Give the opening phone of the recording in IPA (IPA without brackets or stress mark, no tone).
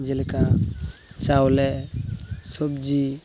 d͡ʒ